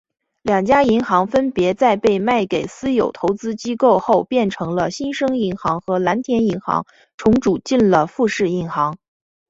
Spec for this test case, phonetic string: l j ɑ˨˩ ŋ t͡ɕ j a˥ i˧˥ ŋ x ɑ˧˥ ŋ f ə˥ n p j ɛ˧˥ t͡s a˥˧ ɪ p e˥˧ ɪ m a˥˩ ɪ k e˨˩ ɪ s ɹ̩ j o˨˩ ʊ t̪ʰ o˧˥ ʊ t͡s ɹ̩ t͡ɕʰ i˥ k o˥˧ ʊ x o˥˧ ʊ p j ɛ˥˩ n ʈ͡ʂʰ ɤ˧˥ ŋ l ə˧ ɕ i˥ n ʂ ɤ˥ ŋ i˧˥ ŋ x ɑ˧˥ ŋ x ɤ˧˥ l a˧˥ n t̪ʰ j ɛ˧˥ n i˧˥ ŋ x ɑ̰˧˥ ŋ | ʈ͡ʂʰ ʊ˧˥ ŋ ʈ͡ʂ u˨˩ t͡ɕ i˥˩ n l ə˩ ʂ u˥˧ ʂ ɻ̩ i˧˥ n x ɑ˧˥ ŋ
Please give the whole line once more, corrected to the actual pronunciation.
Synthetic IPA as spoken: l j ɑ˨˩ ŋ t͡ɕ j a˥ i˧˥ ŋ x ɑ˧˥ ŋ f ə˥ n p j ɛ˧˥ t͡s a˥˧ ɪ p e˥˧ ɪ m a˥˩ ɪ k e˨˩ ɪ s ɹ̩ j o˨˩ ʊ t̪ʰ o˧˥ ʊ t͡s ɹ̩ t͡ɕ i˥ k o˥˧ ʊ x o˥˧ ʊ p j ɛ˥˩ n ʈ͡ʂʰ ɤ˧˥ ŋ l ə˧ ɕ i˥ n ʂ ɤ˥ ŋ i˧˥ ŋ x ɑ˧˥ ŋ x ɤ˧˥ l a˧˥ n t̪ʰ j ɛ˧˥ n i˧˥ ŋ x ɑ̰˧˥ ŋ | ʈ͡ʂʰ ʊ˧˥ ŋ ʈ͡ʂ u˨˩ t͡ɕ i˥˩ n l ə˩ f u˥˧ ʂ ɻ̩ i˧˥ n x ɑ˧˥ ŋ